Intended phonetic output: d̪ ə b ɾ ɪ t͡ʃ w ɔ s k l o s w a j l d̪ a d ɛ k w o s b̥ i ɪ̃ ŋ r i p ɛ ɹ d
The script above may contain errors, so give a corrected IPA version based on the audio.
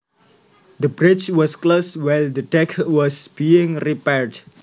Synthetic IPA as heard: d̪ ə b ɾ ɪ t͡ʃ w ɔ s k l o s w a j l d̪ ə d ɛ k w ɔ s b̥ i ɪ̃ ŋ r i p ɛ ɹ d